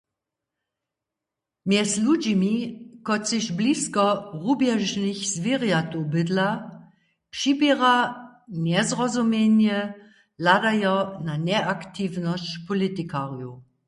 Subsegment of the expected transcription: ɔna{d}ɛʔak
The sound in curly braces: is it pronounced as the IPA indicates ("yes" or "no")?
no